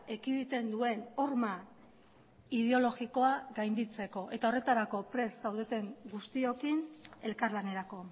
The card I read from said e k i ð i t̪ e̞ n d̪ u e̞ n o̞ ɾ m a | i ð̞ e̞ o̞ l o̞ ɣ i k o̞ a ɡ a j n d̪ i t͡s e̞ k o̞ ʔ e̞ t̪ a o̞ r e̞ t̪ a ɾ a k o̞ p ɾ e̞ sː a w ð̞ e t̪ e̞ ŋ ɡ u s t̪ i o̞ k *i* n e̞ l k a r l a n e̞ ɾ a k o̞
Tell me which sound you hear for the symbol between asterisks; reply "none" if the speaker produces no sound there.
i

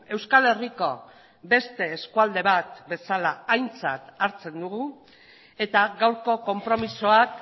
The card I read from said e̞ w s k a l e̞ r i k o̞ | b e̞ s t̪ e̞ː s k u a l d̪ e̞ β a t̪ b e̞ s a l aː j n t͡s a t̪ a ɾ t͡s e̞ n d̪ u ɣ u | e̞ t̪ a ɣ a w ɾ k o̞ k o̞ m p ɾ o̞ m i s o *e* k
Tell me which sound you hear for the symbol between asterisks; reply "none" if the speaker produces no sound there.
a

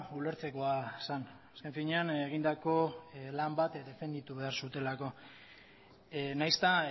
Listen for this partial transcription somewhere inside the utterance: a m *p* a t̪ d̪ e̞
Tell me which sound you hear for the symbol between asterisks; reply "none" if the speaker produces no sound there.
b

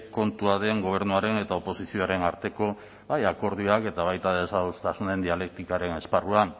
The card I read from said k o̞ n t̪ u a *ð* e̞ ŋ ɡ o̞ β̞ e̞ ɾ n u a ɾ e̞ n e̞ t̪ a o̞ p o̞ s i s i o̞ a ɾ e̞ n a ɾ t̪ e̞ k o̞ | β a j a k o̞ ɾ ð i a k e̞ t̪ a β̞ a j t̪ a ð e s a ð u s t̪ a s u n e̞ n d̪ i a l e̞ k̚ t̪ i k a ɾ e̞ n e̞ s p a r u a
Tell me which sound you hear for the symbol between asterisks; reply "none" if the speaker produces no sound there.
ð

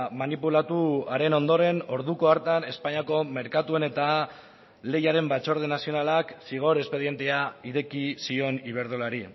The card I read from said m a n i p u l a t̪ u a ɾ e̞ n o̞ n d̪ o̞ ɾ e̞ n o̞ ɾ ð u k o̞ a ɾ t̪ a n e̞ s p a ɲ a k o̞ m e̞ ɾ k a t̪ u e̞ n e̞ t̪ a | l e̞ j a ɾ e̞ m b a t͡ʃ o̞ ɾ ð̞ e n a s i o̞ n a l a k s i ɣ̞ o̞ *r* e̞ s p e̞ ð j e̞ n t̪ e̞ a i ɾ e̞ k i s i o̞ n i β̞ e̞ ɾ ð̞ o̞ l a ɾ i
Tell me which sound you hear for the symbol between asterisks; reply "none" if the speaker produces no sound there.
ɾ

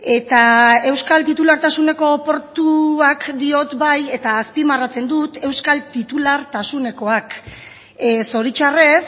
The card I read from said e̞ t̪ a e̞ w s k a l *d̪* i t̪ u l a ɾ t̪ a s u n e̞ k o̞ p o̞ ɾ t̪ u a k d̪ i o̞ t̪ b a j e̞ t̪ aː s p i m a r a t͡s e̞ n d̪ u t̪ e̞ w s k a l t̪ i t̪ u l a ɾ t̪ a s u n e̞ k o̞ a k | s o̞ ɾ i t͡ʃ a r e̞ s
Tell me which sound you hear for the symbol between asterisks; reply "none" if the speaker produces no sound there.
t̪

